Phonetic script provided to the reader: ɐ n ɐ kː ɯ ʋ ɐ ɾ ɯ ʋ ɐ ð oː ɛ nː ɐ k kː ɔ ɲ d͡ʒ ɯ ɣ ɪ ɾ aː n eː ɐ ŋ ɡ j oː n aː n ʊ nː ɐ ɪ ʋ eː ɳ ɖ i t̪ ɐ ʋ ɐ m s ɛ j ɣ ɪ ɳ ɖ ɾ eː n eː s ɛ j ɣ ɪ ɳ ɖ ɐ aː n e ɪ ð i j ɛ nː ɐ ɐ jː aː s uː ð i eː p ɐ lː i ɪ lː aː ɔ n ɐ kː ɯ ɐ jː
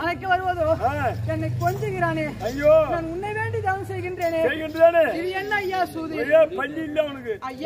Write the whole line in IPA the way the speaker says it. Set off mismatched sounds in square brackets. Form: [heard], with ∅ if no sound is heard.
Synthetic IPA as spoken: ɐ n ɐ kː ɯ ʋ ɐ ɾ ɯ ʋ ɐ ð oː ɛ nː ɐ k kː ɔ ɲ d͡ʒ ɯ ɣ ɪ ɾ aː n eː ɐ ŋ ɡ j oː n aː n ʊ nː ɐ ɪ ʋ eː ɳ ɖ i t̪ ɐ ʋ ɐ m s ɛ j ɣ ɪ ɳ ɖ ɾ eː n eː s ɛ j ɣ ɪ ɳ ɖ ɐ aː n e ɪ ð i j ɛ nː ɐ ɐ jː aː s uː ð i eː p ɐ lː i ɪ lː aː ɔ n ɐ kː ɯ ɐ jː